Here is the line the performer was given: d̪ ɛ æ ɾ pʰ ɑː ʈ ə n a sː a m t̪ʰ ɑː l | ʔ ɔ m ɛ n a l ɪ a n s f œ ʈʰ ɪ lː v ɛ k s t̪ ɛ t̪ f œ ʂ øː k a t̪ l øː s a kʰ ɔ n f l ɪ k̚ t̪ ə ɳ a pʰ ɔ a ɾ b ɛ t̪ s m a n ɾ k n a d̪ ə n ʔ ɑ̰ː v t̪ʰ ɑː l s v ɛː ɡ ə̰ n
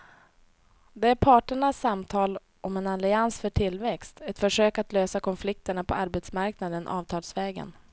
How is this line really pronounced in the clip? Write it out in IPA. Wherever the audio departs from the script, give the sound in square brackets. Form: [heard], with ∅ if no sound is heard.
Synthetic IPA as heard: d̪ ɛ æ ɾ pʰ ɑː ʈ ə [ɳ] a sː a m t̪ʰ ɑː l | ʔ ɔ m ɛ n a l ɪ a n s f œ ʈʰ ɪ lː v ɛ k s t̪ ɛ t̪ f œ ʂ øː k a t̪ l øː s a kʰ ɔ n f l ɪ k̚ t̪ ə ɳ a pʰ ɔ a ɾ b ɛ t̪ s m a [∅] ɾ k n a d̪ ə n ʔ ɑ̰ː v t̪ʰ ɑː l s v ɛː ɡ ə̰ n

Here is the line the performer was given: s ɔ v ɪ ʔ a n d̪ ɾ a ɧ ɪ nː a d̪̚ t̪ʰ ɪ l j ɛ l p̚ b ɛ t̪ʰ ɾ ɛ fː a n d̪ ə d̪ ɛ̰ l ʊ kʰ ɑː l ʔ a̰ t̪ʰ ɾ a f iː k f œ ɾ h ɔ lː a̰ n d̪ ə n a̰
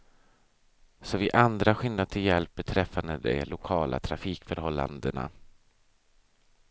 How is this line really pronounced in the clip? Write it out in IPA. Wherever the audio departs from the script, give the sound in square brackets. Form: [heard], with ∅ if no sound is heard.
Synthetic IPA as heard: s ɔ v ɪ ʔ a n d̪ ɾ a ɧ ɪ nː a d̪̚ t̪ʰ ɪ l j ɛ l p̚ b ɛ t̪ʰ ɾ ɛ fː a n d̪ ə d̪ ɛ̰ l ʊ kʰ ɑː l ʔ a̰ t̪ʰ ɾ a f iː k f œ ɾ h ɔ lː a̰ n d̪ ə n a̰

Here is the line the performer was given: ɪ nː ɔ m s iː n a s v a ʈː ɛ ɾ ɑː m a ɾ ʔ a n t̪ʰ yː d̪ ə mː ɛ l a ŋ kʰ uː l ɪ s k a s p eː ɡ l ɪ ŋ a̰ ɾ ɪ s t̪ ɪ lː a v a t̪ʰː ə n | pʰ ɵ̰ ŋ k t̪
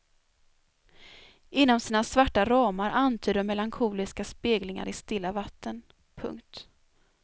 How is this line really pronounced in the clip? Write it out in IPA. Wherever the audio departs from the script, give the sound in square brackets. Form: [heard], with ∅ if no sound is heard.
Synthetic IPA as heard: ɪ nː ɔ m s iː n a s v a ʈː [a] ɾ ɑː m a ɾ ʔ a n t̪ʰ yː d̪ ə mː ɛ l a ŋ kʰ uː l ɪ s k a s p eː ɡ l ɪ ŋ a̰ ɾ ɪ s t̪ ɪ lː a v a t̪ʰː ə n | pʰ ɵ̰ ŋ k t̪

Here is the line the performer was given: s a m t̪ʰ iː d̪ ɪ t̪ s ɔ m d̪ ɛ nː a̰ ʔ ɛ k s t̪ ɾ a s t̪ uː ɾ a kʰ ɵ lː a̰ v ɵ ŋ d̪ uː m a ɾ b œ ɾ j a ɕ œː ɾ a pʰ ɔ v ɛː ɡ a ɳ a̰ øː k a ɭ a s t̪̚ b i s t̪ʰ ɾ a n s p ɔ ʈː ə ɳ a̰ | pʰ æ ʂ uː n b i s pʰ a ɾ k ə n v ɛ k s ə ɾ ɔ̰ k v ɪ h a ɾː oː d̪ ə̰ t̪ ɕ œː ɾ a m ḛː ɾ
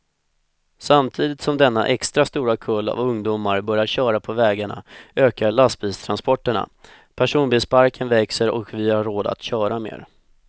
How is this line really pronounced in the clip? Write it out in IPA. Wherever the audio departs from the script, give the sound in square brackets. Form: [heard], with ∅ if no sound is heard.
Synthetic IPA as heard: s a m t̪ʰ iː d̪ ɪ t̪ s ɔ m d̪ ɛ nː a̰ ʔ ɛ k s t̪ ɾ a s t̪ uː ɾ a kʰ ɵ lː a̰ v ɵ ŋ d̪ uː m a ɾ b œ ɾ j a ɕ œː ɾ a pʰ ɔ v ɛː ɡ a ɳ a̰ øː k a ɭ a s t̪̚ b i s t̪ʰ ɾ a n s p ɔ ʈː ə ɳ a̰ | pʰ æ ʂ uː n b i s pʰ a ɾ k ə n v ɛ k s ə ɾ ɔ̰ k v ɪ h a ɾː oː d̪ [a̰] t̪ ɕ œː ɾ a m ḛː ɾ

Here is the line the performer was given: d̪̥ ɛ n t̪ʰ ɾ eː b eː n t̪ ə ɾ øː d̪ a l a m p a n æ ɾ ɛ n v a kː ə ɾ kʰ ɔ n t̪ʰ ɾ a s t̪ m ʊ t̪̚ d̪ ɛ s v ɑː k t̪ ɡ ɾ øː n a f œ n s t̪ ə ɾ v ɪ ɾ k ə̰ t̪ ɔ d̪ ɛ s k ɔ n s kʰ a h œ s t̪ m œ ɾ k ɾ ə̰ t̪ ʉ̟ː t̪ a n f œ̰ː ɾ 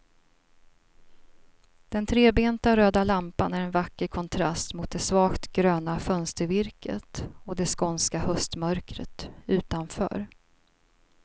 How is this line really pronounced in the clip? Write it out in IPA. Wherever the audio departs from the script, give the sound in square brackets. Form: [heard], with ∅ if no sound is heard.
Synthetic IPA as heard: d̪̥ ɛ n t̪ʰ ɾ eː b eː n t̪ [a] ɾ øː d̪ a l a m p a n æ ɾ ɛ n v a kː ə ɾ kʰ ɔ n t̪ʰ ɾ a s t̪ m ʊ t̪̚ d̪ ɛ s v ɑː k t̪ ɡ ɾ øː n a f œ n s t̪ ə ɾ v ɪ ɾ k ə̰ t̪ ɔ d̪ ɛ s k ɔ n s [k] a h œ s t̪ m œ ɾ k ɾ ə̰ t̪ ʉ̟ː t̪ a n f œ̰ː ɾ

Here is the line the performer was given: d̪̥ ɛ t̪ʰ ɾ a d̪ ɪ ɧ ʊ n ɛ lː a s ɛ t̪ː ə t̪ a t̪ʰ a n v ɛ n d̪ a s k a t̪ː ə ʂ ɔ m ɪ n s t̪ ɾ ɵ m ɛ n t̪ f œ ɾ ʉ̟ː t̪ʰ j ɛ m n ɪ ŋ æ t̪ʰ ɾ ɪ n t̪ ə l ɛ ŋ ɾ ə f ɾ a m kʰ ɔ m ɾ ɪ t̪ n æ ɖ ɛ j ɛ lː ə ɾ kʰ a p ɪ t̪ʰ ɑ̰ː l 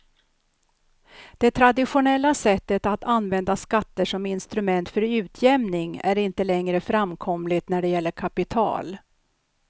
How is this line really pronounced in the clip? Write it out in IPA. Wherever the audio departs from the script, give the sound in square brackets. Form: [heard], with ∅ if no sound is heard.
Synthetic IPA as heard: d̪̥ ɛ t̪ʰ ɾ a d̪ ɪ ɧ ʊ n ɛ lː a s ɛ t̪ː ə t̪ a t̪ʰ a n v ɛ n d̪ a s k a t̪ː ə ʂ ɔ m ɪ n s t̪ ɾ ɵ m ɛ n t̪ f œ ɾ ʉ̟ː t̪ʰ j ɛ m n ɪ ŋ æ [∅] ɾ ɪ n t̪ ə l ɛ ŋ ɾ ə f ɾ a m kʰ ɔ m [l] ɪ t̪ n æ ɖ ɛ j ɛ lː ə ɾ kʰ a p ɪ t̪ʰ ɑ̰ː l

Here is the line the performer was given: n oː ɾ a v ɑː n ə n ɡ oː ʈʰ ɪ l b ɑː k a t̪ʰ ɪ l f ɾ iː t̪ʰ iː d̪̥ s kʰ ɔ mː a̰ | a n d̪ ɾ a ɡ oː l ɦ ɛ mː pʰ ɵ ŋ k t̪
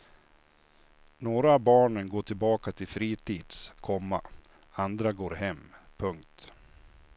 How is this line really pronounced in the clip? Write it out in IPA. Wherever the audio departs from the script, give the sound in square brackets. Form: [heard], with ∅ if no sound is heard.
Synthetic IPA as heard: n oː ɾ a [b] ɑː [ɳ] ə n ɡ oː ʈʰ ɪ l b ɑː k a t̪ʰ ɪ l f ɾ iː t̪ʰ iː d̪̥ s kʰ ɔ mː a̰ | a n d̪ ɾ a ɡ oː [ɾ] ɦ ɛ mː pʰ ɵ ŋ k t̪

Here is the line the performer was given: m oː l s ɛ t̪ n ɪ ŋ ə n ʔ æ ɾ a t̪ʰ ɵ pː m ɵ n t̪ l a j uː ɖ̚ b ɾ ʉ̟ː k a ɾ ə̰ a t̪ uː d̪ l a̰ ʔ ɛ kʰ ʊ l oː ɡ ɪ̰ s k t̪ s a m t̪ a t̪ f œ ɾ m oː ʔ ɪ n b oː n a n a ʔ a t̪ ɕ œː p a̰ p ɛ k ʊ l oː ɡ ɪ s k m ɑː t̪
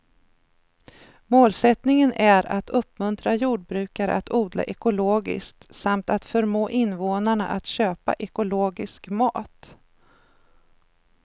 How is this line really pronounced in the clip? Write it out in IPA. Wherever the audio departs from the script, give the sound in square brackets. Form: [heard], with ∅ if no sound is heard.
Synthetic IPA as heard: m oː l s ɛ t̪ n ɪ ŋ ə n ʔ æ ɾ a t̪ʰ ɵ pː m ɵ n t̪ [ɾ] a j uː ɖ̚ b ɾ ʉ̟ː k a ɾ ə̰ a t̪ uː d̪ l a̰ ʔ ɛ [k] ʊ l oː ɡ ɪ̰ s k t̪ s a m t̪ a t̪ f œ ɾ m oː ʔ ɪ n [v] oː n a [ɳ] a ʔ a t̪ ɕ [øː] p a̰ [ʔ] ɛ k ʊ l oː ɡ ɪ s k m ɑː t̪

